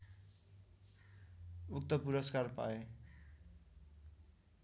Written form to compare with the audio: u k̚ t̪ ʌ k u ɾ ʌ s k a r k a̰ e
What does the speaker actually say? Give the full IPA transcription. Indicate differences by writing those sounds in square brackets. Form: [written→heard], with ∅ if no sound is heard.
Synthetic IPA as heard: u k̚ t̪ ʌ [k→p] u ɾ ʌ s k a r [k→p] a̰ e